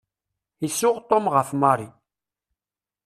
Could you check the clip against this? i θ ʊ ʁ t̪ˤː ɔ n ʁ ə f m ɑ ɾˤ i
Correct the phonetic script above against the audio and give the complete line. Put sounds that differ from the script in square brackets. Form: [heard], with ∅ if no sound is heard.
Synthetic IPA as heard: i [s] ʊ ʁ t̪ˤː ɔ [m] ʁ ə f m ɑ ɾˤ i